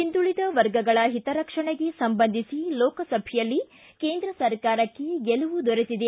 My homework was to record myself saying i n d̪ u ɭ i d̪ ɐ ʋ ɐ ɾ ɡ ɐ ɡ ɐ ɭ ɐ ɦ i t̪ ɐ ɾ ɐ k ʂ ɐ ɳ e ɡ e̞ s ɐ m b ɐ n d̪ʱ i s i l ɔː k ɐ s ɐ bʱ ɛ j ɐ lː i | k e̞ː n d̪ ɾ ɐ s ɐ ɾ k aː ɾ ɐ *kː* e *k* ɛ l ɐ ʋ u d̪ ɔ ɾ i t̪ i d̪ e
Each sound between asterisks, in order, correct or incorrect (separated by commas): correct, incorrect